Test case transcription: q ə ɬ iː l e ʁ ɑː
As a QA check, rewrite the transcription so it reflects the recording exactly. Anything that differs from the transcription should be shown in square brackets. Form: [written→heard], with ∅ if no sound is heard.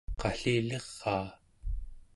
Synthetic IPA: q [ə→ɑ] ɬ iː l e [ʁ→ʁː] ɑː